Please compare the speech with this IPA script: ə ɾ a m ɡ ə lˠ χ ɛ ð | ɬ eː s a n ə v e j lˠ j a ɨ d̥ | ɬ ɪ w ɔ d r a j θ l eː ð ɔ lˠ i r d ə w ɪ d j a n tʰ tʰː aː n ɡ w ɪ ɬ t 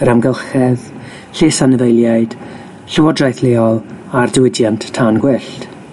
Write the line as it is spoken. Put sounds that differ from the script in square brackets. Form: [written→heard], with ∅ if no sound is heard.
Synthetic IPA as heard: ə ɾ a m ɡ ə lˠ χ ɛ ð | ɬ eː s a n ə v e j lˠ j a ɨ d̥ | ɬ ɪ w ɔ d r a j θ l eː [ð→∅] ɔ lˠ [i→a] r d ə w ɪ d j a n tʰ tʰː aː n ɡ w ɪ ɬ t